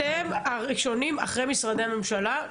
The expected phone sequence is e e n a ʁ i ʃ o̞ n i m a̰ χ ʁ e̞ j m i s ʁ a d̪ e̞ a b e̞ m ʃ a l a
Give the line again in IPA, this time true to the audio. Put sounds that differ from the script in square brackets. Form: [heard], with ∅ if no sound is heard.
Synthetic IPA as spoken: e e [m] a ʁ i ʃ o̞ n i m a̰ χ ʁ e̞ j m i s ʁ a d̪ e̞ a [m] e̞ m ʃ a l a